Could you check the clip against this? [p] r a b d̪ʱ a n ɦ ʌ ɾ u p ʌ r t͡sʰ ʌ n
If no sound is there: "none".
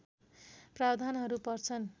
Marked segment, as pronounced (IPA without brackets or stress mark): p